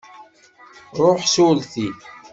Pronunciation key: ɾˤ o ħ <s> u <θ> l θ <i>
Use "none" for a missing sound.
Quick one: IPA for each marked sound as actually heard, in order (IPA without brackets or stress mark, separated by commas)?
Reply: s, none, i